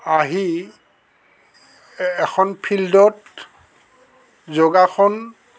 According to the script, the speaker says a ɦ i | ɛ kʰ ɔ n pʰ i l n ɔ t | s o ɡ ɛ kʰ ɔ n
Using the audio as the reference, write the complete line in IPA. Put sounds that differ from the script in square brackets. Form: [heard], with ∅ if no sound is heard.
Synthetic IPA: a ɦ i | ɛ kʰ ɔ n pʰ i l [d] ɔ t | [z] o ɡ [a] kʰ ɔ n